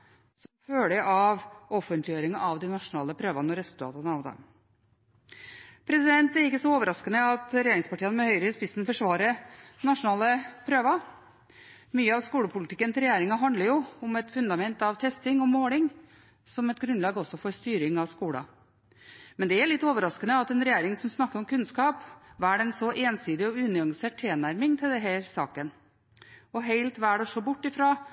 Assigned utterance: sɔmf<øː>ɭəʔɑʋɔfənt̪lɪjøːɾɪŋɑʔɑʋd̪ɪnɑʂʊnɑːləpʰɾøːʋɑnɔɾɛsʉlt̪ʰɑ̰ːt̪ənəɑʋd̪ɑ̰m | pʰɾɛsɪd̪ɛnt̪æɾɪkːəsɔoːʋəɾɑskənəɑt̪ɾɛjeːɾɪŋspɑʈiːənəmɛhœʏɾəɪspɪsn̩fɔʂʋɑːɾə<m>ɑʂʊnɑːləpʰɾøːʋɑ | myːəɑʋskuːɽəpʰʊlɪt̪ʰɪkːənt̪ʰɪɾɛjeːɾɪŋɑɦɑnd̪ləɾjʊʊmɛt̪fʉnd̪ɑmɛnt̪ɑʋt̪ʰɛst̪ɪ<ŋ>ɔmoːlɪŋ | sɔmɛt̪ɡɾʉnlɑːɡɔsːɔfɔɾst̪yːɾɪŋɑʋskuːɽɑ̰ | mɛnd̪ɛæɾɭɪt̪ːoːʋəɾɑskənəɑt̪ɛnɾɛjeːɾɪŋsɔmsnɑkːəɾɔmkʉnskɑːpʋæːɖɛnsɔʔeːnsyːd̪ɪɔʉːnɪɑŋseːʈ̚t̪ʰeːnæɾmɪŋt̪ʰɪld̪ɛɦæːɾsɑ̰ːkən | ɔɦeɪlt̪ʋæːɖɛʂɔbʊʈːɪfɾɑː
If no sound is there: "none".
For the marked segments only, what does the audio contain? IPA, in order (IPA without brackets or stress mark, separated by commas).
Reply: øː, n, ŋ